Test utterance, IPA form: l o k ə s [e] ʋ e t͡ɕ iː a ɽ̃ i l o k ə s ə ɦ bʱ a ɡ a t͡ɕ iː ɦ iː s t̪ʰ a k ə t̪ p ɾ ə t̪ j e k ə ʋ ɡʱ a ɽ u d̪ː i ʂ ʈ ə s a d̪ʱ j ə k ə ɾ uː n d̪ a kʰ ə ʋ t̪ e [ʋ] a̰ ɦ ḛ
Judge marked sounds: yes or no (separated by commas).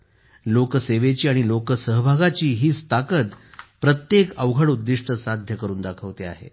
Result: yes, no